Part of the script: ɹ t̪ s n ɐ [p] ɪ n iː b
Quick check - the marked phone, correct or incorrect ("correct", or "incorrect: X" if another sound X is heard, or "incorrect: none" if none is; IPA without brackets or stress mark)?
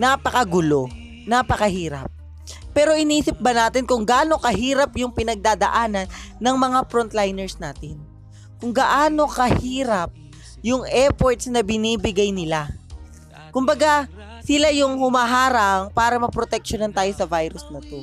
incorrect: b